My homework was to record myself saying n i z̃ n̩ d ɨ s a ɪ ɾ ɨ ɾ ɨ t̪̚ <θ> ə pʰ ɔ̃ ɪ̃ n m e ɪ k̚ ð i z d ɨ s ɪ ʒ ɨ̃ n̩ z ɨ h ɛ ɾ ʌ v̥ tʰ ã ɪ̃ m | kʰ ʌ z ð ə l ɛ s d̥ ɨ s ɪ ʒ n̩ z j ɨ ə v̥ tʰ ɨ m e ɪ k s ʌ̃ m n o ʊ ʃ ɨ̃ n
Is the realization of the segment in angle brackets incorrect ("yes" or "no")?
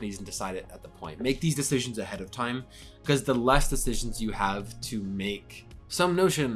yes